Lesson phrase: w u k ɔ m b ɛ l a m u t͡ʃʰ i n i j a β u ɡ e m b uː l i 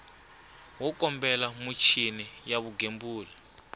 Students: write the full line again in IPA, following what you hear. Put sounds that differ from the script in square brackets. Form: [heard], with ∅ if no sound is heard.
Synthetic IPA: w [ɔ] k ɔ m b ɛ l a m u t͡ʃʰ i n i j a β u ɡ e m b uː l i